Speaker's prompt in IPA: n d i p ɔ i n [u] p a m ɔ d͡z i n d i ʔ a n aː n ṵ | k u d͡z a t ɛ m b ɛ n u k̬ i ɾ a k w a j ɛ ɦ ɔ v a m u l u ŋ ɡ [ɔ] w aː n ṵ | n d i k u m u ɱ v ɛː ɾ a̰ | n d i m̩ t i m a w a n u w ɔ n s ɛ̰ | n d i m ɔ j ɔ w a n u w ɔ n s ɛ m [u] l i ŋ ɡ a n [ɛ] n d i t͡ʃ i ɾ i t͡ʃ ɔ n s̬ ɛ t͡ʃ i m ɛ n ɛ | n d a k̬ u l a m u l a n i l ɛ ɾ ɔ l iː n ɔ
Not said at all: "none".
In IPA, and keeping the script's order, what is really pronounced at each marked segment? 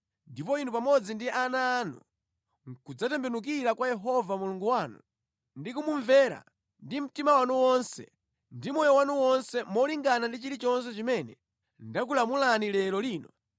u, u, ɔ, a

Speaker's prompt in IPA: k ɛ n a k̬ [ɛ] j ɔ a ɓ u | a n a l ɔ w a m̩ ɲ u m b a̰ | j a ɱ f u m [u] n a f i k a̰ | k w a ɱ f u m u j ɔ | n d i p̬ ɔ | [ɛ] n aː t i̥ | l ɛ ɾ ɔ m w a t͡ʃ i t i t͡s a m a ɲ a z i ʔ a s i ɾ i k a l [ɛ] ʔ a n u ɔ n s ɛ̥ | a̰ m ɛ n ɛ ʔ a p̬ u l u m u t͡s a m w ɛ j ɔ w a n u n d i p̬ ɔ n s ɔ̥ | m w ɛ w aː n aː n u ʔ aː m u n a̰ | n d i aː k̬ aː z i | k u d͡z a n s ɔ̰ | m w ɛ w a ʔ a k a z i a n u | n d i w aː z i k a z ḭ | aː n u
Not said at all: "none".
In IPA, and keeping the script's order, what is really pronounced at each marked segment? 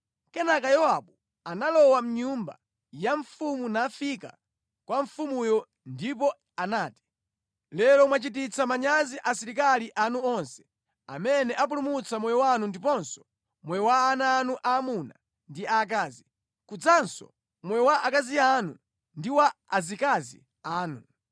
a, u, a, i

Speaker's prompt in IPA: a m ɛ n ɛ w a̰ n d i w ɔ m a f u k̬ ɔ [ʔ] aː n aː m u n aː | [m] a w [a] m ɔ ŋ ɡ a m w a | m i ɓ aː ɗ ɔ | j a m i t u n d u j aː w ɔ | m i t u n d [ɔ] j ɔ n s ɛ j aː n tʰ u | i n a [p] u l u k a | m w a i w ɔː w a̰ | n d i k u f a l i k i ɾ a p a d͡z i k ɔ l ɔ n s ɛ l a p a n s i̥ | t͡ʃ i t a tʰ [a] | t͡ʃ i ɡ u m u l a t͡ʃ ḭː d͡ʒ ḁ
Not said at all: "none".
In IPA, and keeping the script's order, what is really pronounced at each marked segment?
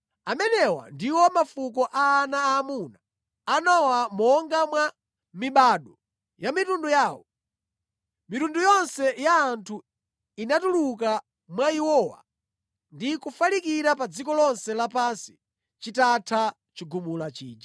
ʔ, n, a, u, t, a

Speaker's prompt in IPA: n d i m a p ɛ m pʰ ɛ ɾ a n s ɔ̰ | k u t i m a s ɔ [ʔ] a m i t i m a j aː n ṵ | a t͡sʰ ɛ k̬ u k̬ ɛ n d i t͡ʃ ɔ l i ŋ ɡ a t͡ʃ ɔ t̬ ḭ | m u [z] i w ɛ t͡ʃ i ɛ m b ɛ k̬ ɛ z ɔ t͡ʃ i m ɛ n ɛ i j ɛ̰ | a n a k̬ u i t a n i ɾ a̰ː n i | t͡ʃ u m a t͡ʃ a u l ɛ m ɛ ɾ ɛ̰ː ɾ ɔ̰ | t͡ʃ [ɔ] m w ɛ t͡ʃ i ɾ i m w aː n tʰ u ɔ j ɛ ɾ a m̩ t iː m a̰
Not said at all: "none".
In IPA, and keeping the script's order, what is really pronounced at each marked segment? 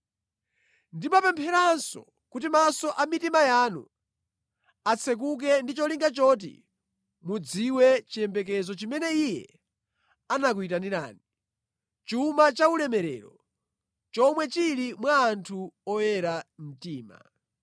ʔ, d͡z, ɔ

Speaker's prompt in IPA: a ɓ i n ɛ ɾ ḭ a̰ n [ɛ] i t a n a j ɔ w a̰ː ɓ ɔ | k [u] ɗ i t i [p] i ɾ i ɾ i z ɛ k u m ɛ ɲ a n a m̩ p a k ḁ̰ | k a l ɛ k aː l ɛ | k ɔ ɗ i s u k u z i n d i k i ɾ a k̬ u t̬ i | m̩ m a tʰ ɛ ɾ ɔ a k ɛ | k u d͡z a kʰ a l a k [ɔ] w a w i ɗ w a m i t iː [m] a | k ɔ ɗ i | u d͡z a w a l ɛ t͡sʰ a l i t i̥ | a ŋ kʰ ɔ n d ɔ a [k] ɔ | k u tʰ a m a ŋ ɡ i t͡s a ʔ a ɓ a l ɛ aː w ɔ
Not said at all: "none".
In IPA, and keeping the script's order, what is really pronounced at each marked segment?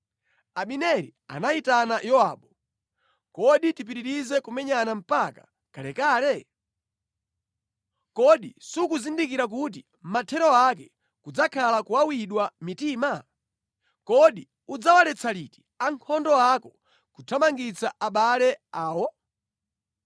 a, ɔ, p, u, m, k

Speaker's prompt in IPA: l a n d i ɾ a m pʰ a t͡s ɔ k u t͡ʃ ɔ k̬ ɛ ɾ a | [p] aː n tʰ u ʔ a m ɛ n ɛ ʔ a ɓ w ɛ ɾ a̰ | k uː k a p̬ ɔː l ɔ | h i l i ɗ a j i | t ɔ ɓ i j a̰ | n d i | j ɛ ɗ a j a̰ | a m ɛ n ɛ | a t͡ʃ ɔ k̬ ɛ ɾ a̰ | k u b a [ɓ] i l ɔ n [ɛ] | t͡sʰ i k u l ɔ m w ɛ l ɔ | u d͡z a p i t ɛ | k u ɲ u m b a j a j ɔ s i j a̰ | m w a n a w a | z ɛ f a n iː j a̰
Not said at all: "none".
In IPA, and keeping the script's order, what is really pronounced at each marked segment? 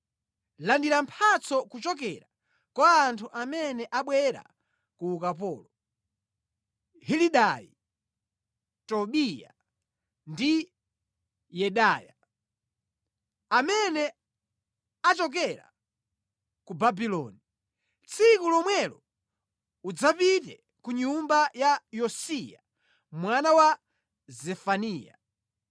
k, b, i

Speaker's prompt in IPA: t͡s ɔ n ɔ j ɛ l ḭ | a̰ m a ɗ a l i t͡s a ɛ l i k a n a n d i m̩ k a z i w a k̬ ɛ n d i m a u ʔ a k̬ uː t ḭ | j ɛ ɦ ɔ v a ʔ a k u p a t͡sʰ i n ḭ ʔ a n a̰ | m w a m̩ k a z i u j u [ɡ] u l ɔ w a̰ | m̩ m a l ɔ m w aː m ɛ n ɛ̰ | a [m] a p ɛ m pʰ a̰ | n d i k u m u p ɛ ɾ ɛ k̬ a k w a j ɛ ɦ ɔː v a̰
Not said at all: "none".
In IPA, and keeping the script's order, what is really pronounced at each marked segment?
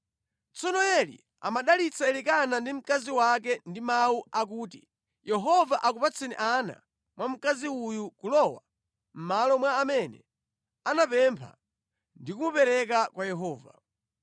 k, n

